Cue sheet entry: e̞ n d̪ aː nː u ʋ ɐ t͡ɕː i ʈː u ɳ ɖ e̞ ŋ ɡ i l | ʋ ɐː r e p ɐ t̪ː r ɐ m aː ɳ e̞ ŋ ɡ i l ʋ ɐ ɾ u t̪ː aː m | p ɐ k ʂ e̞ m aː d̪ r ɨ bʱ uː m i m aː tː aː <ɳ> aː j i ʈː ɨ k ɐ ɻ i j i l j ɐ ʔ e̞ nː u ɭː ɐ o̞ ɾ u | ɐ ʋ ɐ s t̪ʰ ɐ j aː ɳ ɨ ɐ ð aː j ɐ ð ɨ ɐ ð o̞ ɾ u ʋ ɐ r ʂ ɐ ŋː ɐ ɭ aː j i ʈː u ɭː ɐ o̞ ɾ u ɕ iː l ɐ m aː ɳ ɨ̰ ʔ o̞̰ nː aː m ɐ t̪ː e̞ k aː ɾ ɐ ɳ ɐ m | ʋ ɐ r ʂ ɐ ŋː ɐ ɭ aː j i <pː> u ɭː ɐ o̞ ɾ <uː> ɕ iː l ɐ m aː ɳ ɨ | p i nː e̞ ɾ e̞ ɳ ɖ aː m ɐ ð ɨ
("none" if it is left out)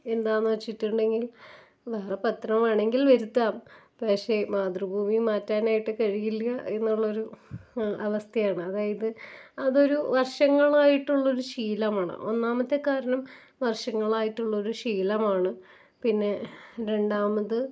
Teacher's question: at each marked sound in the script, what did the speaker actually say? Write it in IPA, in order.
n, ʈː, u

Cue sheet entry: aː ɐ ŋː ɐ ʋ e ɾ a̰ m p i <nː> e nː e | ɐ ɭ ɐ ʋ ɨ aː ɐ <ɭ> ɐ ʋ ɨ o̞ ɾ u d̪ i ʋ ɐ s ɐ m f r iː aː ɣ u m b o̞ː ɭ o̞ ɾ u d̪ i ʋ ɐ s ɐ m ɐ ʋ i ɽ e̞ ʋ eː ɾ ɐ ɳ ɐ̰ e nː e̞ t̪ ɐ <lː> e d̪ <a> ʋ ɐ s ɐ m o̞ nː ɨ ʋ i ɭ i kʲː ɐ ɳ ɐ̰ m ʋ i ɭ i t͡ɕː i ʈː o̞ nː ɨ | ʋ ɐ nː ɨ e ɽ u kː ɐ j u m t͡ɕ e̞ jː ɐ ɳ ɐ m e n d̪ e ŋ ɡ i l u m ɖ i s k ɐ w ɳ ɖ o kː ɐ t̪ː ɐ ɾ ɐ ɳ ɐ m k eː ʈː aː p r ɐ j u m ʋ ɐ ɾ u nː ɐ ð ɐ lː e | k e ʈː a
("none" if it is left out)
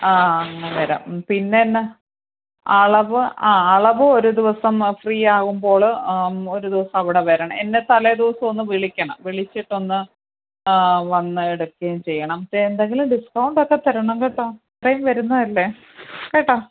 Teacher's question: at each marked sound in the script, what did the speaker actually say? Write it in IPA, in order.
nː, ɭ, l, i

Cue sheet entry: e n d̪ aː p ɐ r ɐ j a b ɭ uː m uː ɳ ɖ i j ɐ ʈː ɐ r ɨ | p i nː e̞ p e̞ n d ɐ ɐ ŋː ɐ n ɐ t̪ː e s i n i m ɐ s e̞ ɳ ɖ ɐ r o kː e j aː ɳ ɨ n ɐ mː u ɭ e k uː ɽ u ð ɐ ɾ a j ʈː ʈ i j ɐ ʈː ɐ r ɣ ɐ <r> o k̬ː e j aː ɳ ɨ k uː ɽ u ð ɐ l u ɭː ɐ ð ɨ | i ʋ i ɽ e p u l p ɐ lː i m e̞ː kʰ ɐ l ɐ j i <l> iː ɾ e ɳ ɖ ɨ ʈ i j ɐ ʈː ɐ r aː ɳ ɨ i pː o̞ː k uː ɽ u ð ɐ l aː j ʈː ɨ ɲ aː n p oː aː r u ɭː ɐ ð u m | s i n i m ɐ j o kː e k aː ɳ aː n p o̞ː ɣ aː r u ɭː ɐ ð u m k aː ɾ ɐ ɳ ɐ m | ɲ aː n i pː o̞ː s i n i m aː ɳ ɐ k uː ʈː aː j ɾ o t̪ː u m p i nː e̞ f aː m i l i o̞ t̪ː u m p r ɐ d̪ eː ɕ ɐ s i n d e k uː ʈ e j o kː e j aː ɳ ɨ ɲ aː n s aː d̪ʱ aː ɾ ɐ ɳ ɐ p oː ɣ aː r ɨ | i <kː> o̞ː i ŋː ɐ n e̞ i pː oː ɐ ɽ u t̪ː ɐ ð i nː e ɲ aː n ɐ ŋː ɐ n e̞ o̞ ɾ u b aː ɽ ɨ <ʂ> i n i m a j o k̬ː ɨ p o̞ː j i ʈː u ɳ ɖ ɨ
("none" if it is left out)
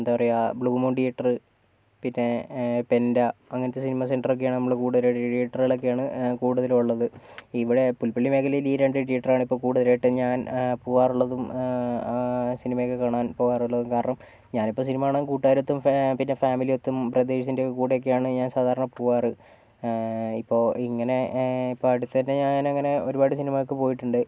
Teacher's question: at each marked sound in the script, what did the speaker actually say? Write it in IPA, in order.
ɭ, l, pː, s

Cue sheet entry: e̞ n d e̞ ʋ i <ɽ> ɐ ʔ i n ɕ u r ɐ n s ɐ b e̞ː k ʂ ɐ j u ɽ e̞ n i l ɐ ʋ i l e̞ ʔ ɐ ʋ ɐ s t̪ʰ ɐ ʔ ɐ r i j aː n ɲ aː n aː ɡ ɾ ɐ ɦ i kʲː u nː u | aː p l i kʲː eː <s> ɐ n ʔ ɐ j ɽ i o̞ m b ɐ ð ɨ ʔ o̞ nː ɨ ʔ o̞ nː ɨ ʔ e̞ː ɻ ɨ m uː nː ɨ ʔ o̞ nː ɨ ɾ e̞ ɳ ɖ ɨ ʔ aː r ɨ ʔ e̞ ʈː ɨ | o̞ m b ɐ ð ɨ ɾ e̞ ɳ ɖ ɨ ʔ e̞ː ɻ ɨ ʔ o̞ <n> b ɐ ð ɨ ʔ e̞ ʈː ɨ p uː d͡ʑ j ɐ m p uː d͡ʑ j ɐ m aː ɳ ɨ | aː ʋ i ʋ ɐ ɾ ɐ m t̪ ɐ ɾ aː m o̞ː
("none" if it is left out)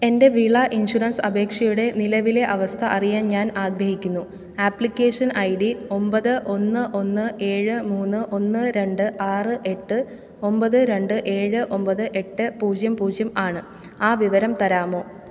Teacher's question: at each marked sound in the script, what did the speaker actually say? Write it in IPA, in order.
ɭ, ʂ, m

